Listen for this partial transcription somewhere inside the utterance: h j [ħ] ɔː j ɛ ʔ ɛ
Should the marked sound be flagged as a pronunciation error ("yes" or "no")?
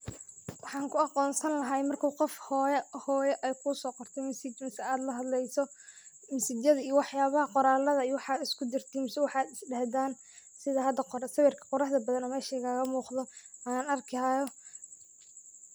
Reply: yes